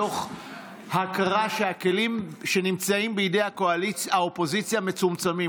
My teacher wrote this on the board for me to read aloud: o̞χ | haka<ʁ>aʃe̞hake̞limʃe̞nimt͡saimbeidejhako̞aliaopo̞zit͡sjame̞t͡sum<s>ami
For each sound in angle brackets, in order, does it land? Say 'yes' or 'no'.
yes, no

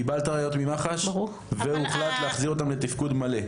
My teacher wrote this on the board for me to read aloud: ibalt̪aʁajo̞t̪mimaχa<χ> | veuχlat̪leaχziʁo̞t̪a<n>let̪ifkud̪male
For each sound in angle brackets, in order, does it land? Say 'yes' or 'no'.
no, no

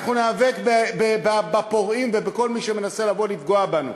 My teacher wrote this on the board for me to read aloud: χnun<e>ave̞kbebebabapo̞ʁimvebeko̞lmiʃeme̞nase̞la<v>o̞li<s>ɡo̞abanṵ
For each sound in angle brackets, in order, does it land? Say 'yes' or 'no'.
yes, yes, no

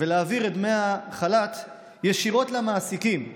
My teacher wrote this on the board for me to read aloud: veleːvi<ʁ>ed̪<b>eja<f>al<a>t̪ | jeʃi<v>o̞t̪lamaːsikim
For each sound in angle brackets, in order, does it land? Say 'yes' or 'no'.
yes, no, no, yes, no

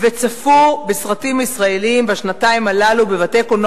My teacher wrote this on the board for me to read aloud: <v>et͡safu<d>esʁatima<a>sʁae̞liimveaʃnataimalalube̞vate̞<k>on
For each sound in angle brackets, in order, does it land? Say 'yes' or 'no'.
yes, no, no, yes

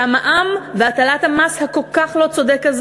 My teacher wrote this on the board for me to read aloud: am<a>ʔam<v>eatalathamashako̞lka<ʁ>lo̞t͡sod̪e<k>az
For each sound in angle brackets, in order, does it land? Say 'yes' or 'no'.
yes, yes, no, yes

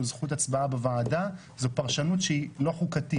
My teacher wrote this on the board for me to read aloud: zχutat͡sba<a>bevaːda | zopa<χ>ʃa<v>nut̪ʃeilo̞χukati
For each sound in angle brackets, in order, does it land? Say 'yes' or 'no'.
yes, no, no

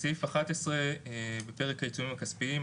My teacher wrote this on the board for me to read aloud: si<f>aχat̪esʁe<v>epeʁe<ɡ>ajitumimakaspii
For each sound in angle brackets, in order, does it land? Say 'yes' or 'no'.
yes, no, no

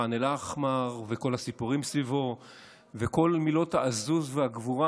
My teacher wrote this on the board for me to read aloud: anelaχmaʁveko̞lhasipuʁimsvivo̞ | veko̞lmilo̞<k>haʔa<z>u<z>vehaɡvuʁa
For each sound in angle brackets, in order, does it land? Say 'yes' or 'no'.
no, yes, yes

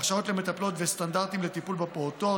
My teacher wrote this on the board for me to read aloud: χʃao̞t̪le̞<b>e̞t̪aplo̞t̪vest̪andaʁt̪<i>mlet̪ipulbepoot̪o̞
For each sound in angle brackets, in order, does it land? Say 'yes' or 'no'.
no, yes

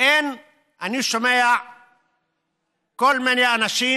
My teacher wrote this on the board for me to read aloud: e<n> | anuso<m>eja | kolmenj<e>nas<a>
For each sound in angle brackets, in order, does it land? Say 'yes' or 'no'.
yes, yes, no, no

